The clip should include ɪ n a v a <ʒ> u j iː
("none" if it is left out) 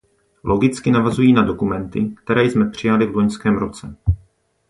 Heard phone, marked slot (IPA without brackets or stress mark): z